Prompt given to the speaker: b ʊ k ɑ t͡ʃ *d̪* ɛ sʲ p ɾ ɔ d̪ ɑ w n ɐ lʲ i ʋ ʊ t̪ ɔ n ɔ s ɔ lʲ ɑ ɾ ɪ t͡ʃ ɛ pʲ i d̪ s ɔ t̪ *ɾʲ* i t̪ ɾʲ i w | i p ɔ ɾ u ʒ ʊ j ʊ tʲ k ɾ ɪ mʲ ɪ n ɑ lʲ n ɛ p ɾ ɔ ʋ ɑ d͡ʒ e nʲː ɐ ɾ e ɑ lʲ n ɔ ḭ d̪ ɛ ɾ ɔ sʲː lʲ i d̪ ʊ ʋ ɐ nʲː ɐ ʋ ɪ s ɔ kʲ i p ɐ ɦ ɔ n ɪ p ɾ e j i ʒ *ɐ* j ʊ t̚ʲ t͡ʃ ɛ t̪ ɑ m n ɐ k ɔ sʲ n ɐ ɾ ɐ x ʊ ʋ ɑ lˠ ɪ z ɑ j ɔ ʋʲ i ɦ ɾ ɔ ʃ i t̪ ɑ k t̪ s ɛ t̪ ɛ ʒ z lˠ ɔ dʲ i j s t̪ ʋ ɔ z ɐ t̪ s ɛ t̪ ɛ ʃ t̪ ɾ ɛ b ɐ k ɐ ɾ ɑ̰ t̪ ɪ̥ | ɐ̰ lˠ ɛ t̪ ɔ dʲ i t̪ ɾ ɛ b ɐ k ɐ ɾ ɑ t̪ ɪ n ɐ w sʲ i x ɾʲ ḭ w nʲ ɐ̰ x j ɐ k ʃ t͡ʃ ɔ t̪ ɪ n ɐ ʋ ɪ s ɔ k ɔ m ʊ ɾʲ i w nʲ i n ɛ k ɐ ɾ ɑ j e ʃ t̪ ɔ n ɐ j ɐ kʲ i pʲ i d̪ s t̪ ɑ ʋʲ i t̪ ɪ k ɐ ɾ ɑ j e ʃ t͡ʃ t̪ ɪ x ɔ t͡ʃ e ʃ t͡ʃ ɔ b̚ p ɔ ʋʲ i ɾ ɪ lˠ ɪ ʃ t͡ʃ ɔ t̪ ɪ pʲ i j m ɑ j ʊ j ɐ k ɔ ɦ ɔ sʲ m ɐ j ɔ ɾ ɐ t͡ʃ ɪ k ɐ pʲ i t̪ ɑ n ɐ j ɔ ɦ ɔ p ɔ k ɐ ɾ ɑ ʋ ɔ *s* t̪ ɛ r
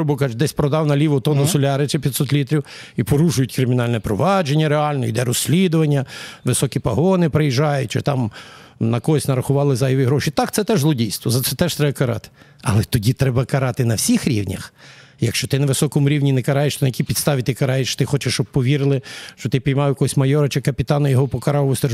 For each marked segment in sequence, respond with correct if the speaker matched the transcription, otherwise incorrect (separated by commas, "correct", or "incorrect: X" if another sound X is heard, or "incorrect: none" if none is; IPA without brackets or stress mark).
correct, incorrect: lʲ, incorrect: ɑ, correct